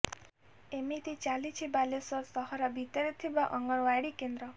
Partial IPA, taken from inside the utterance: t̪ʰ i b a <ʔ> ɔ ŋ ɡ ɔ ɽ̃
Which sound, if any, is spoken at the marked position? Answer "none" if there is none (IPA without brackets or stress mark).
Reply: ʔ